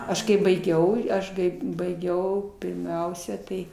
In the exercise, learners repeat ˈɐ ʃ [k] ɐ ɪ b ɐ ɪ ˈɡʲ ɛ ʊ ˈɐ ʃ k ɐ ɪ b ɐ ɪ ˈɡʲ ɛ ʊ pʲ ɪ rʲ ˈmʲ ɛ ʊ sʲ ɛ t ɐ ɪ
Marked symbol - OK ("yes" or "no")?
yes